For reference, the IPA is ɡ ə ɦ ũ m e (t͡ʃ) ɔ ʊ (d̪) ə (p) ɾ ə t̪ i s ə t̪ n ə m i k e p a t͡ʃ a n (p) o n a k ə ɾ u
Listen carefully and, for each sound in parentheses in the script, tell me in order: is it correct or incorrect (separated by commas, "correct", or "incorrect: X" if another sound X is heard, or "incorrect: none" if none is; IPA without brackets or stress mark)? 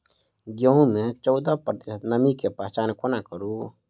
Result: correct, correct, correct, incorrect: k